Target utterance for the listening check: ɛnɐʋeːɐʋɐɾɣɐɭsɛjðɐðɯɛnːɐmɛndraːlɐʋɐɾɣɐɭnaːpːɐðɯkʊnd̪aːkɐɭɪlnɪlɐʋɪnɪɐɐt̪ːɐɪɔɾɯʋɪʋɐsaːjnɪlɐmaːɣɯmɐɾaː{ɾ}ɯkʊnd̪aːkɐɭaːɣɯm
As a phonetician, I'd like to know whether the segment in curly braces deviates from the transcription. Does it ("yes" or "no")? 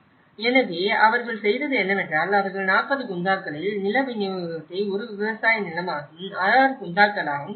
no